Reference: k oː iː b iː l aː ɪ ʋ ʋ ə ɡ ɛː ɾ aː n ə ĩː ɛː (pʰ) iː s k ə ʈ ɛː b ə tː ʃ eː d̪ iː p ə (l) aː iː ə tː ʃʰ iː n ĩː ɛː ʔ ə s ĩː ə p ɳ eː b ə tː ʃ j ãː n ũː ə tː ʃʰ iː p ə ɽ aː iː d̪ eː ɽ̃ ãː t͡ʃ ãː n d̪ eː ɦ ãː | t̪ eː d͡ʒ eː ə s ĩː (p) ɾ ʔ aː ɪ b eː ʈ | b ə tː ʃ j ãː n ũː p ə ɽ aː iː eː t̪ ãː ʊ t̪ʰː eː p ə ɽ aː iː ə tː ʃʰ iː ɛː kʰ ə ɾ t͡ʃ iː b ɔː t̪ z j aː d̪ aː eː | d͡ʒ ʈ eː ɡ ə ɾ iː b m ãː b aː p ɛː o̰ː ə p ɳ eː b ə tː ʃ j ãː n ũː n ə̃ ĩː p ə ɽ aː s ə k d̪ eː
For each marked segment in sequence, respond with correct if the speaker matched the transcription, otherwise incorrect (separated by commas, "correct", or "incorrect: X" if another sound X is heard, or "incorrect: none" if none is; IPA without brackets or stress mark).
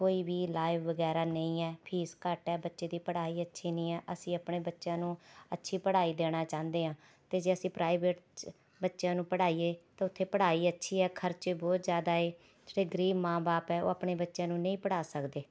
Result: correct, incorrect: ɽ, correct